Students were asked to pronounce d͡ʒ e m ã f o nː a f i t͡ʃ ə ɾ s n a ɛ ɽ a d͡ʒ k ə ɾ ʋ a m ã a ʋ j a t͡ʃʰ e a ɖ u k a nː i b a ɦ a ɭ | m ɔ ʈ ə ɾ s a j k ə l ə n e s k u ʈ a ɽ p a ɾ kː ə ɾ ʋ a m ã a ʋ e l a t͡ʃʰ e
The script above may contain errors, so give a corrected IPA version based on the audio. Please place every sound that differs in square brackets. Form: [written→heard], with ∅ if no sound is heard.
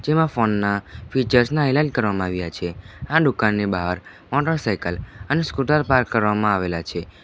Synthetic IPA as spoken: d͡ʒ e m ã f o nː a f i t͡ʃ ə ɾ s n a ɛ [ɽ→l] a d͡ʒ k ə ɾ ʋ a m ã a ʋ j a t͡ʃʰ e a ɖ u k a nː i b a ɦ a [ɭ→ɾ] | m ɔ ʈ ə ɾ s a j k ə l ə n e s k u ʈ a [ɽ→ɾ] p a ɾ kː ə ɾ ʋ a m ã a ʋ e l a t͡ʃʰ e